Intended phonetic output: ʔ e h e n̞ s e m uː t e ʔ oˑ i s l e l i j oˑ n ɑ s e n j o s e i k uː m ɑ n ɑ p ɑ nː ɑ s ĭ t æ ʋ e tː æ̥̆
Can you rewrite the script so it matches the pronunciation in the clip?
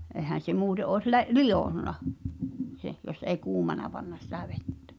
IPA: ʔ e h æ n̞ s e m uː t e ʔ oˑ e s l e l i j oˑ nː ɑ s e n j o s e i k uː m ɑ n ɑ p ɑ nː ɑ s ĭ t æ ʋ e tː æ̥̆